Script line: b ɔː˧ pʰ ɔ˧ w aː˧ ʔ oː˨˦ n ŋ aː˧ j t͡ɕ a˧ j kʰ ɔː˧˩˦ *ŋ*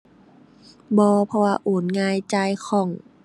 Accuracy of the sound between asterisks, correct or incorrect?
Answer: correct